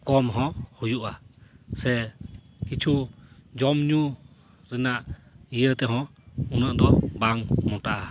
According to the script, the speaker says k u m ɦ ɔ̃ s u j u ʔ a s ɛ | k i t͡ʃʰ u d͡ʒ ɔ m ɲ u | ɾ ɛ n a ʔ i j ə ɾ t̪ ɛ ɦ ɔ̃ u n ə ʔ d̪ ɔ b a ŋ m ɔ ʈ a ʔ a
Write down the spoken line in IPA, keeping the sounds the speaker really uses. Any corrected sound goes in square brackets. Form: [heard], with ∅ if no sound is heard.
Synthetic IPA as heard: k [ɔ] m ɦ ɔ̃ [h] u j u ʔ a s ɛ | k i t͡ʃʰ u d͡ʒ ɔ m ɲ u | ɾ ɛ n a ʔ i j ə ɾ t̪ ɛ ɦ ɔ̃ u n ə ʔ d̪ ɔ b a ŋ m ɔ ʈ a ʔ a